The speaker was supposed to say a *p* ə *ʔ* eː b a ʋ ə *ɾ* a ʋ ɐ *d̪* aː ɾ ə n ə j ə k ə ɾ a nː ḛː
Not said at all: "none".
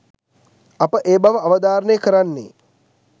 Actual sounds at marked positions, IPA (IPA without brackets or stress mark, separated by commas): p, ʔ, none, d̪